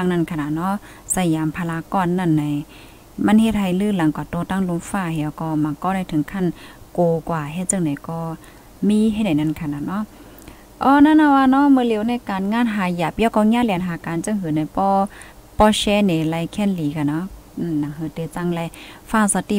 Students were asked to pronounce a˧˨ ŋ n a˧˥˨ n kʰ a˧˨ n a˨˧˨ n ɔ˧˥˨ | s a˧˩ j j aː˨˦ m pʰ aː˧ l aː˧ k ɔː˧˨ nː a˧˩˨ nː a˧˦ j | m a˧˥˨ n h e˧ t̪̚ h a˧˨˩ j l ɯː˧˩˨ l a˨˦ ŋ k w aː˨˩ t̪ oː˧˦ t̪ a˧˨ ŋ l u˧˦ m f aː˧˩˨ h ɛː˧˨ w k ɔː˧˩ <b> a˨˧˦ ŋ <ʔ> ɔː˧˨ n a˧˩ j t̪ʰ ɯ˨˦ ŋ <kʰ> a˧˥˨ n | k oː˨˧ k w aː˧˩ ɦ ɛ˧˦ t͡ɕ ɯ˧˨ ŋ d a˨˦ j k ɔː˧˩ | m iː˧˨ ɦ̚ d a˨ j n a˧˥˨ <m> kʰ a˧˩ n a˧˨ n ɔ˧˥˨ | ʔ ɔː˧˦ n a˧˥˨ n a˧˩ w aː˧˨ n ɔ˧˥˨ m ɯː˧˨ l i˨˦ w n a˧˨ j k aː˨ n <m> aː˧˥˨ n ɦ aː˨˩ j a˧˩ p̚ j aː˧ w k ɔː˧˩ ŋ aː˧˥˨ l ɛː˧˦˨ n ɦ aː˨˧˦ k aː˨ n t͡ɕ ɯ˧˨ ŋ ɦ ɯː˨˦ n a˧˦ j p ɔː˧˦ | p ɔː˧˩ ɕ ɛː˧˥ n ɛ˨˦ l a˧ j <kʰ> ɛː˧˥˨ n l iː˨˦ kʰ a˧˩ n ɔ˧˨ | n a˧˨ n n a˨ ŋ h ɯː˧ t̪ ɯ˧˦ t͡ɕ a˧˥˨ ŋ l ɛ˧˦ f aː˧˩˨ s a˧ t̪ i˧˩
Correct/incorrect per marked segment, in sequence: incorrect: m, incorrect: k, correct, incorrect: n, incorrect: ŋ, correct

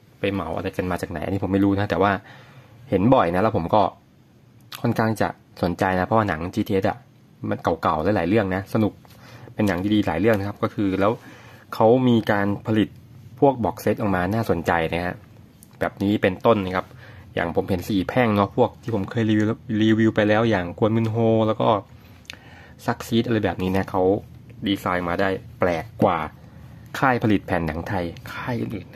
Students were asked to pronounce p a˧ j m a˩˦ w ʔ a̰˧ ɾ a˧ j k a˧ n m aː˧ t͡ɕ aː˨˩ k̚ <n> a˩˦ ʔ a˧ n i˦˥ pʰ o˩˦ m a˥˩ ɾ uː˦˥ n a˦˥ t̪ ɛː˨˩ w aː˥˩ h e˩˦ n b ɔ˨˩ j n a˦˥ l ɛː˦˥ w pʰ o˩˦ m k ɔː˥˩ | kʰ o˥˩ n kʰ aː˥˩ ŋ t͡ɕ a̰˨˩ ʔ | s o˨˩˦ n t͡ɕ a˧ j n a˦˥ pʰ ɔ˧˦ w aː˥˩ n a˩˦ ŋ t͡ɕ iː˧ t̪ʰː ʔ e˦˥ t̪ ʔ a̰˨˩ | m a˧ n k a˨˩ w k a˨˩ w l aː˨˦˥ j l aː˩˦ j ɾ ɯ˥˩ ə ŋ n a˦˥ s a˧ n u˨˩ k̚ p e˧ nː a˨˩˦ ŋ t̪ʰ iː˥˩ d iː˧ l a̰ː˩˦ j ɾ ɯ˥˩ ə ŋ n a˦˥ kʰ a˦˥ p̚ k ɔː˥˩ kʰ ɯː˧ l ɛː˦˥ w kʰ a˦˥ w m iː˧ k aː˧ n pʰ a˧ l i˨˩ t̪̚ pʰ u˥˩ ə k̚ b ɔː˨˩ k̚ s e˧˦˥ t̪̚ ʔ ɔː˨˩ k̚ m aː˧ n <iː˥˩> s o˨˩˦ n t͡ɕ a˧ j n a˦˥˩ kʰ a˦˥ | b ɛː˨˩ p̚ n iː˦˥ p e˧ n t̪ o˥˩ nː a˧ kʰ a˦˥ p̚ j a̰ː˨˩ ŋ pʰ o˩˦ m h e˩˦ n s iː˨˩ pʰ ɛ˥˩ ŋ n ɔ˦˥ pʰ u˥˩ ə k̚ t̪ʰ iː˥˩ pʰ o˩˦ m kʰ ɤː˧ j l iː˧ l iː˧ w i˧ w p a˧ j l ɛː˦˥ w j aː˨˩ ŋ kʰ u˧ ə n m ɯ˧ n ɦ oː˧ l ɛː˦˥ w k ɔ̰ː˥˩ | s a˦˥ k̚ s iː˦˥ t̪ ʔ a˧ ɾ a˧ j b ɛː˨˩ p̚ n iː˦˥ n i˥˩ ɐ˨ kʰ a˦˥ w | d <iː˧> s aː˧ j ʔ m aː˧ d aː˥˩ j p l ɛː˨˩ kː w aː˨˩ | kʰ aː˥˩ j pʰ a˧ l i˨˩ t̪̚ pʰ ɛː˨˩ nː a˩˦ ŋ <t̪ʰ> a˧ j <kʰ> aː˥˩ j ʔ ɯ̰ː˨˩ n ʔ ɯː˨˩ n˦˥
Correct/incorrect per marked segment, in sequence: correct, incorrect: aː˥˩, correct, correct, correct

